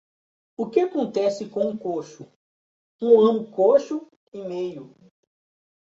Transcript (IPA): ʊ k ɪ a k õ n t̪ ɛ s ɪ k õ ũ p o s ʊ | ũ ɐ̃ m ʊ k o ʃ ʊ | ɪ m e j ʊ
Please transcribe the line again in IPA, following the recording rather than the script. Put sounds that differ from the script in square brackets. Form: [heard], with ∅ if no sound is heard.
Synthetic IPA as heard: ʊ k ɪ a k õ n t̪ ɛ s ɪ k õ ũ [k] o [ʃ] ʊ | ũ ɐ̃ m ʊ k o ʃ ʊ | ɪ m e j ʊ